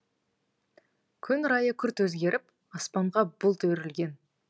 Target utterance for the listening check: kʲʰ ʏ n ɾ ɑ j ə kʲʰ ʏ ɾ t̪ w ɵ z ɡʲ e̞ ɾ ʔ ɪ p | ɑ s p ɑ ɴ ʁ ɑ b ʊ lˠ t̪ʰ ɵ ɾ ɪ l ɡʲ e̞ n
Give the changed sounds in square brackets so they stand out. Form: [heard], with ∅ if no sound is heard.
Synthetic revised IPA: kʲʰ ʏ n ɾ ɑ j ə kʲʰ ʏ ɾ t̪ w ɵ z ɡʲ e̞ ɾ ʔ ɪ p | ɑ s p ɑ ɴ ʁ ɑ b ʊ lˠ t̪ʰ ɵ ɾ ɪ l ɡʲ e̞ n